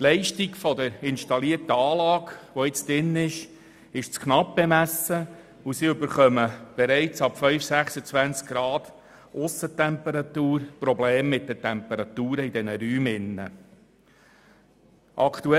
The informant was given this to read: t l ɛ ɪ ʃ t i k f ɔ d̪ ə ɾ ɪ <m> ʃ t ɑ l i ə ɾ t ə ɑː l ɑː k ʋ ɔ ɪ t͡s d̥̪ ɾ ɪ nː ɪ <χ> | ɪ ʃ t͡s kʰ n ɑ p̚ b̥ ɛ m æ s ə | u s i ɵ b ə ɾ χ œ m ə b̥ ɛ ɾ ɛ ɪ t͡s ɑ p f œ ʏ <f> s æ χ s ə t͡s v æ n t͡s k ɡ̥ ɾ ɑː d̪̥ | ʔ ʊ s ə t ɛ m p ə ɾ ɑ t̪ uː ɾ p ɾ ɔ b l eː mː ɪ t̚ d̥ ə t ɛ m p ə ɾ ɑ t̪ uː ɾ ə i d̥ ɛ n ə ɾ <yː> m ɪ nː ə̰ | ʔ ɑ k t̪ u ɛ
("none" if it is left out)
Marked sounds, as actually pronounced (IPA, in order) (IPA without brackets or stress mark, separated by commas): n, ʃ, f, yː